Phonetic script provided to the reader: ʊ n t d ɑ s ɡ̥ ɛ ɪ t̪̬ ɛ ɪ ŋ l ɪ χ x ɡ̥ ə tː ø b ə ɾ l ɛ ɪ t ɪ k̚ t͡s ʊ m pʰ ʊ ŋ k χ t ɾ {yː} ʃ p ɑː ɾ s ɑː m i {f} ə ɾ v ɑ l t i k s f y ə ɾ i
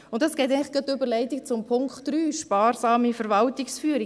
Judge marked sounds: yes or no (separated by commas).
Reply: yes, yes